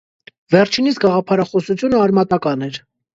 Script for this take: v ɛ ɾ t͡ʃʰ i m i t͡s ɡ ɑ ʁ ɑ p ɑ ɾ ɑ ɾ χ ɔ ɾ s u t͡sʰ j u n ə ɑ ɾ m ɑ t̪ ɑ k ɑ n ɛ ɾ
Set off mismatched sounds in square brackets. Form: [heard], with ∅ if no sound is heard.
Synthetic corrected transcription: v ɛ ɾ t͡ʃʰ i [n] i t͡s ɡ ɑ ʁ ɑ [pʰ] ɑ ɾ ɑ [∅] χ ɔ [∅] s u t͡sʰ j u n ə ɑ ɾ m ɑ t̪ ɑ k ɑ n ɛ ɾ